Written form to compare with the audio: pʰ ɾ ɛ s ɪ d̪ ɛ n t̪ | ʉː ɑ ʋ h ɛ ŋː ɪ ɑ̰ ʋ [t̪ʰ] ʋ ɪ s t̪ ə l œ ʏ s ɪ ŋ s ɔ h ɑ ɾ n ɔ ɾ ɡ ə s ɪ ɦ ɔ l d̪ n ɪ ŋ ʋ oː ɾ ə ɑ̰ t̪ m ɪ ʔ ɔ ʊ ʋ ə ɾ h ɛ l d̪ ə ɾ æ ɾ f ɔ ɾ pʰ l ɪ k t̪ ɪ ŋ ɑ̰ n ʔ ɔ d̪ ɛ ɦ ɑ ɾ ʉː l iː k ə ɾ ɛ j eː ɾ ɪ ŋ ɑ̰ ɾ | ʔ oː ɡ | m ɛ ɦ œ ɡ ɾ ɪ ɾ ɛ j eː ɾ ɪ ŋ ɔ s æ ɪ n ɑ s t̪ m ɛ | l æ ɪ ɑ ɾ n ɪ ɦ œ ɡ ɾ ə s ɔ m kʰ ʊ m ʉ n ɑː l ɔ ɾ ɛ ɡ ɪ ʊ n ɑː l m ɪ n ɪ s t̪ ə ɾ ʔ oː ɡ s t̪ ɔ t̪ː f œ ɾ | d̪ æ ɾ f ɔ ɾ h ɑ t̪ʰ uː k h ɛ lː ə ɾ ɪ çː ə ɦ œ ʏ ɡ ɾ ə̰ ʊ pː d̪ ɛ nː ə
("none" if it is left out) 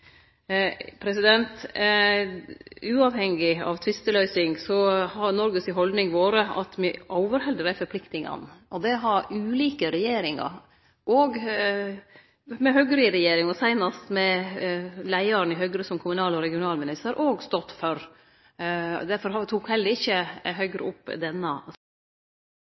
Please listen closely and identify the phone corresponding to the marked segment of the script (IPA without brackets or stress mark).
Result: t̪ʰ